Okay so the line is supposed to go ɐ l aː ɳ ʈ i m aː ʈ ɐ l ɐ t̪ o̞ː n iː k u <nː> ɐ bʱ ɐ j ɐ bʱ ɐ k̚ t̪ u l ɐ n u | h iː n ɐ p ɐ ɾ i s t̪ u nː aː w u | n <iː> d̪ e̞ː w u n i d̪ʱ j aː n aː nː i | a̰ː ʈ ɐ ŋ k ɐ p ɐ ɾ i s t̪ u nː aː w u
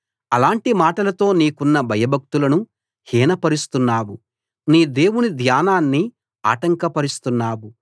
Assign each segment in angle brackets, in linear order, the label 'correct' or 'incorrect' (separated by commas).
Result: correct, correct